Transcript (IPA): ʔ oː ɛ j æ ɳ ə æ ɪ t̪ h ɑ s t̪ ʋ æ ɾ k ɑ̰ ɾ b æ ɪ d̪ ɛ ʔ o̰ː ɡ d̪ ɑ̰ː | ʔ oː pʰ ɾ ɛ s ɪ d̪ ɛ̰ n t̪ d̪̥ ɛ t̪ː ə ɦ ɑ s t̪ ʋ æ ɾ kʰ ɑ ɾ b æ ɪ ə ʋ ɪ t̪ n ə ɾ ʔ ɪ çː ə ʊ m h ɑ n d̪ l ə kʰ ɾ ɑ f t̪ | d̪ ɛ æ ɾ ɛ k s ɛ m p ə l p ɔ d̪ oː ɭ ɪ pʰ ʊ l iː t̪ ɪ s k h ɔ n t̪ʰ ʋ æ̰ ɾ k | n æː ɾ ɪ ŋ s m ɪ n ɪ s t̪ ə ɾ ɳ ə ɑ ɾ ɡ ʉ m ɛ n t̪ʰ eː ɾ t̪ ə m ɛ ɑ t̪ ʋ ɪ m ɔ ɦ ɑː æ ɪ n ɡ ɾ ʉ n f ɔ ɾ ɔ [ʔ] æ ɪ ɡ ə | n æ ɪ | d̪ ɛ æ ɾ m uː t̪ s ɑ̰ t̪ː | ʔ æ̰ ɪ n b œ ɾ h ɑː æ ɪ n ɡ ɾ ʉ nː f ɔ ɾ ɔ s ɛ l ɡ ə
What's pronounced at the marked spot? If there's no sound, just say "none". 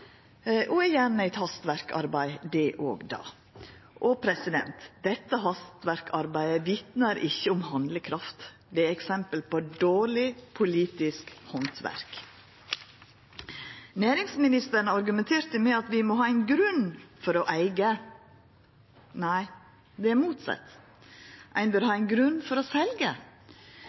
ʔ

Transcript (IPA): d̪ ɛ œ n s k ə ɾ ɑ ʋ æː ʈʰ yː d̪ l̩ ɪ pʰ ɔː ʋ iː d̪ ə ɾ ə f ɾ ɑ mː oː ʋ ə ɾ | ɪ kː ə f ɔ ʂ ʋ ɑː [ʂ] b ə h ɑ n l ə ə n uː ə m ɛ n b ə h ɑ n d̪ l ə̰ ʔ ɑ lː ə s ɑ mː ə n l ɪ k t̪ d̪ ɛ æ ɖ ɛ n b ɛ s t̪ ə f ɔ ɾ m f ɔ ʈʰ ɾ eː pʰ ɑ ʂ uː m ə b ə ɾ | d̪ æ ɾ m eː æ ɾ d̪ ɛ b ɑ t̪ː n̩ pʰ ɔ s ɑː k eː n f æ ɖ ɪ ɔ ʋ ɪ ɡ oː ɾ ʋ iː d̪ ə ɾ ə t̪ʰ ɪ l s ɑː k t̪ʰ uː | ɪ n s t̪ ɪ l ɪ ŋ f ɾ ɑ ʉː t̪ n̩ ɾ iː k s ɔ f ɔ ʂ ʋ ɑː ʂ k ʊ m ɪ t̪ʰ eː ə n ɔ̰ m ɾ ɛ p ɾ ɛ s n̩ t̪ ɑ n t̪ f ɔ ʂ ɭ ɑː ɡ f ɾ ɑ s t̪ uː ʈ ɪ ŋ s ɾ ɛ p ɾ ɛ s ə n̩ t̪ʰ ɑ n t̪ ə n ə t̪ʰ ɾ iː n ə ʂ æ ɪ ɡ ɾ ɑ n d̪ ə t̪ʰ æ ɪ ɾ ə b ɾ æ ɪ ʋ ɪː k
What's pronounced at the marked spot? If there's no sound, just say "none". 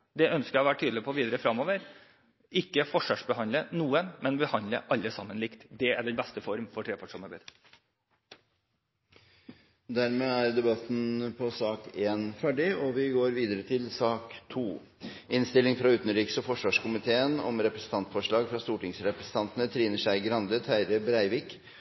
ʂ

